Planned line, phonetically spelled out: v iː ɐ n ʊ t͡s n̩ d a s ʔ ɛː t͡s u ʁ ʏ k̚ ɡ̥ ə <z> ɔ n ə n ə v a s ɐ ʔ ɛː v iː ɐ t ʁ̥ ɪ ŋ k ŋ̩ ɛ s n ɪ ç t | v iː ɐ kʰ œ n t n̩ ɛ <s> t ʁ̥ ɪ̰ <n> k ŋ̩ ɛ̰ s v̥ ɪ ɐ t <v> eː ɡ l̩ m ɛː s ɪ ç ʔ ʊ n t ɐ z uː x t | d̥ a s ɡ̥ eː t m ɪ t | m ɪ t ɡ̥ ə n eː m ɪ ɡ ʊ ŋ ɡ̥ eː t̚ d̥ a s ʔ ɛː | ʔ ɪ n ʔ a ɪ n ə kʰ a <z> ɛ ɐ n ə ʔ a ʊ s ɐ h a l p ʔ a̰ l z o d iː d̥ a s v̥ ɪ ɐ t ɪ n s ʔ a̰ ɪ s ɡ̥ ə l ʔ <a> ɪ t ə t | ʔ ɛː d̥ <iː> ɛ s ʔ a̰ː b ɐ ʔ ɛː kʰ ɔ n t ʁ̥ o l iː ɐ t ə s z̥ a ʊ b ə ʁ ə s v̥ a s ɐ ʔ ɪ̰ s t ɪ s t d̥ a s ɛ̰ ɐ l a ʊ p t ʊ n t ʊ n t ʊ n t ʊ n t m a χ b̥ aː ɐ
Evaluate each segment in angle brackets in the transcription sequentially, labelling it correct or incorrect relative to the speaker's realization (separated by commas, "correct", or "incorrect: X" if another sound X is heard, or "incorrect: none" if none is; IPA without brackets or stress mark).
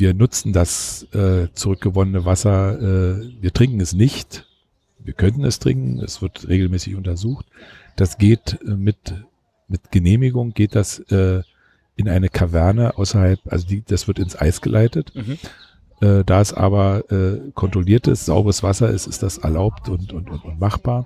incorrect: v, correct, incorrect: ŋ, incorrect: ʁ, incorrect: v, correct, incorrect: aː